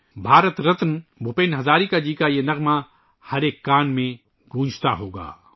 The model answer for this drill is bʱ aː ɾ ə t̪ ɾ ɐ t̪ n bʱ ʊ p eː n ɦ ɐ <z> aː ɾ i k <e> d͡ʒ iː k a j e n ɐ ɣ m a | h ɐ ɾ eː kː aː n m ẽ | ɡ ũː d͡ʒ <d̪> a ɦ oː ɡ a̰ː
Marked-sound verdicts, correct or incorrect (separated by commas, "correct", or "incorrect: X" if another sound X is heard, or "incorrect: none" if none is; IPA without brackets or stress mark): correct, incorrect: a, incorrect: t̪